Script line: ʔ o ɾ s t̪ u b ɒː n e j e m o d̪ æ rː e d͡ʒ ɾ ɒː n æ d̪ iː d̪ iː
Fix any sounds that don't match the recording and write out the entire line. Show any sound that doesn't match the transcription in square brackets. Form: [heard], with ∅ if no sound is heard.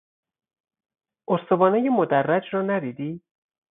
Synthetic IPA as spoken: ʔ o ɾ s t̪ [o] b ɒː n e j e m o d̪ æ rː [æ] d͡ʒ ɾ ɒː n æ d̪ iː d̪ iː